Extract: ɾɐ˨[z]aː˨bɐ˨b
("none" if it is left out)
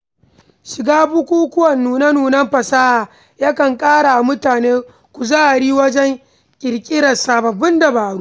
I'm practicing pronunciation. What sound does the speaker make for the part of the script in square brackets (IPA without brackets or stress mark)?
s